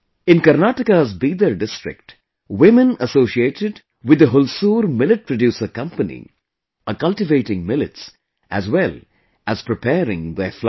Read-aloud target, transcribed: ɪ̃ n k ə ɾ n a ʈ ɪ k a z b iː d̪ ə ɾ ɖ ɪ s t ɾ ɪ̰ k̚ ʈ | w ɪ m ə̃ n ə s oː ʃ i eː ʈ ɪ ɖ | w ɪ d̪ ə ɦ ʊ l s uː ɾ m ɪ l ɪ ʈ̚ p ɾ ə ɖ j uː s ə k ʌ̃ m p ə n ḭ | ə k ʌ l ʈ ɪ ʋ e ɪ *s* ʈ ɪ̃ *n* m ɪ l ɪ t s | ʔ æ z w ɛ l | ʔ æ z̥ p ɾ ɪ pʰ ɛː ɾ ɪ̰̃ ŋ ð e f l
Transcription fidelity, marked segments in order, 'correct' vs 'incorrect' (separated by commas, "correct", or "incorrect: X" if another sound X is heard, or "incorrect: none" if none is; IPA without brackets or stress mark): incorrect: none, incorrect: ŋ